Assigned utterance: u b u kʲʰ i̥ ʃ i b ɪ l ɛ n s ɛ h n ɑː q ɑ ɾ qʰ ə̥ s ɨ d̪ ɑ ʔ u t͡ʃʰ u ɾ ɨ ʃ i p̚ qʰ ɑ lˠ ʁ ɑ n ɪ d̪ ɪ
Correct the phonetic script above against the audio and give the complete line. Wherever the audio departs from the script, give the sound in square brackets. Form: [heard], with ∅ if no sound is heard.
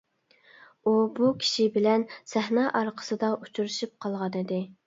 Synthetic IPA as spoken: u b u kʲʰ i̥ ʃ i b ɪ l ɛ n s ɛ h n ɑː [ʔ] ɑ ɾ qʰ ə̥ s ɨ d̪ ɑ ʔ u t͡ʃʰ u ɾ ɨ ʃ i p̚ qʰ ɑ lˠ ʁ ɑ n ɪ d̪ ɪ